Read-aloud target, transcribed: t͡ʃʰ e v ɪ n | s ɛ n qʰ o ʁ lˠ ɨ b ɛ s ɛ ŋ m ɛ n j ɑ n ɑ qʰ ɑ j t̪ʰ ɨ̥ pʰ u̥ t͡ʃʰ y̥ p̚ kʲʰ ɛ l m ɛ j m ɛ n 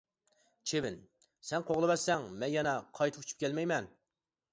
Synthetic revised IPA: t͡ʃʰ e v ɪ n | s ɛ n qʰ o ʁ lˠ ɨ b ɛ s ɛ ŋ m ɛ n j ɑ n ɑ qʰ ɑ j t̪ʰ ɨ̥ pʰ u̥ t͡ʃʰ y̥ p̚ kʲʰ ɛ l m ɛ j m ɛ n